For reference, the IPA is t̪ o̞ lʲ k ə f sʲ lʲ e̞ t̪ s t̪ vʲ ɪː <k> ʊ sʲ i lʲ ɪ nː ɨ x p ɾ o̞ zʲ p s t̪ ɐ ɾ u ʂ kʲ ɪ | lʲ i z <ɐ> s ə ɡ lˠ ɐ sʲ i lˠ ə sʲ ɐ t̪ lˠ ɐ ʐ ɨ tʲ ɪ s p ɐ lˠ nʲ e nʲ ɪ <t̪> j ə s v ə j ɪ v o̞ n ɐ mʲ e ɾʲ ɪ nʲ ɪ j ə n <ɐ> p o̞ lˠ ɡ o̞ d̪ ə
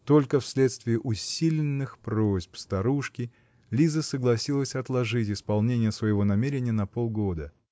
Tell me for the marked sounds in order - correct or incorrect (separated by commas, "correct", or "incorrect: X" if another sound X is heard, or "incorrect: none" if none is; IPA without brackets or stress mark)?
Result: incorrect: ʔ, incorrect: ə, incorrect: none, correct